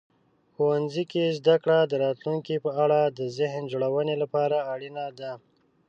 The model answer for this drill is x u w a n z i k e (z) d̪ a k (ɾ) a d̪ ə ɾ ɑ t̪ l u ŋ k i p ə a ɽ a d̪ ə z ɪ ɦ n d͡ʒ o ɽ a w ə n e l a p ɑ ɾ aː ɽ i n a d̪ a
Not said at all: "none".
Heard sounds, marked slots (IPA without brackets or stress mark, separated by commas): z, ɽ